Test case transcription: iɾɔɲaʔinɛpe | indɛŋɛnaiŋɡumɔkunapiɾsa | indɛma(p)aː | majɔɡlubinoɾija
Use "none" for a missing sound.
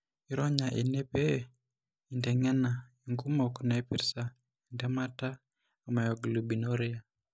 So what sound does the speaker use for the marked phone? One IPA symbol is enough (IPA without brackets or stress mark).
t